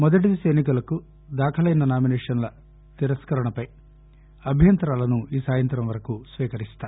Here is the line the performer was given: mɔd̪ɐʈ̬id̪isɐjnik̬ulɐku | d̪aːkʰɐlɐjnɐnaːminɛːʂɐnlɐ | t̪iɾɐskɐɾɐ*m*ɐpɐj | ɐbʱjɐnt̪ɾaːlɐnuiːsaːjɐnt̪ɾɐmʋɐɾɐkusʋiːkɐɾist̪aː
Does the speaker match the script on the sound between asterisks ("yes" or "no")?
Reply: no